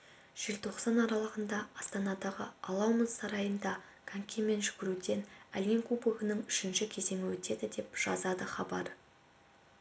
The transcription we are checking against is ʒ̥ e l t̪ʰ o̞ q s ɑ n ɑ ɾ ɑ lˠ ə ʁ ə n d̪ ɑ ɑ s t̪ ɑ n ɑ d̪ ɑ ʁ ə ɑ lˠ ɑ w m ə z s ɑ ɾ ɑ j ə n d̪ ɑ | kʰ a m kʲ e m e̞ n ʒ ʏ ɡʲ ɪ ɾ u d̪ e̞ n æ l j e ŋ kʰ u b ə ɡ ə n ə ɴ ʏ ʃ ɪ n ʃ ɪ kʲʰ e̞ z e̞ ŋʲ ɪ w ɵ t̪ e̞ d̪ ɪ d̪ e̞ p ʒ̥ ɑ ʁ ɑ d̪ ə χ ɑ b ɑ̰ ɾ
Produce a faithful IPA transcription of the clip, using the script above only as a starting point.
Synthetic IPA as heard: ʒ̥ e l t̪ʰ o̞ q s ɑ n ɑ ɾ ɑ lˠ ə ʁ ə n d̪ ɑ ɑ s t̪ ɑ n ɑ d̪ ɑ ʁ ə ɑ lˠ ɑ w m ə z s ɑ ɾ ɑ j ə n d̪ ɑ | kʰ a ŋ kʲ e m e̞ n ʒ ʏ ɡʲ ɪ ɾ u d̪ e̞ n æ l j e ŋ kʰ u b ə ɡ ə n ə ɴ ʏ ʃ ɪ n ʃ ɪ kʲʰ e̞ z e̞ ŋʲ ɪ w ɵ t̪ e̞ d̪ ɪ d̪ e̞ p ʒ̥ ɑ z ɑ d̪ ə χ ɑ b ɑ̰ ɾ